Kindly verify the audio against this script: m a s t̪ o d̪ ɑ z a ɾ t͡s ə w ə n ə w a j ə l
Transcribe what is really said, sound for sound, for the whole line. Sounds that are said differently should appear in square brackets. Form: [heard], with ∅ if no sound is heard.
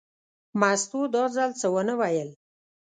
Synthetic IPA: m a s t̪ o d̪ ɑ z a [l] t͡s ə w ə n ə w a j ə l